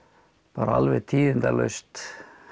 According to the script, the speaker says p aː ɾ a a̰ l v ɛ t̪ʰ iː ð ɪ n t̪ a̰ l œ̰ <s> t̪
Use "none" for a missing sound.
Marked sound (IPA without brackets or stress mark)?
s